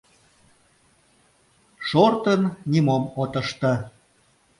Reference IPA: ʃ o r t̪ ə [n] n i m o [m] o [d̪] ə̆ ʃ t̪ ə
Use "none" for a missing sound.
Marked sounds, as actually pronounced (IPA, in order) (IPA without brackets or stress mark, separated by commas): n, m, t̪